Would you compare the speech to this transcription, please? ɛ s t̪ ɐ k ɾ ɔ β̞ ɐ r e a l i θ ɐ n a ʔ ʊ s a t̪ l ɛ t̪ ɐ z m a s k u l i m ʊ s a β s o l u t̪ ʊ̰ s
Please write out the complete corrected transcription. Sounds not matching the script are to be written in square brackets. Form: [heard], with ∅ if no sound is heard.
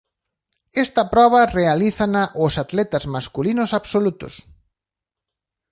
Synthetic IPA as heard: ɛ s t̪ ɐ [p] ɾ ɔ β̞ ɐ r e a l i θ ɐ n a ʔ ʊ s a t̪ l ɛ t̪ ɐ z m a s k u l i [n] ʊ s a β s o l u t̪ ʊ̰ s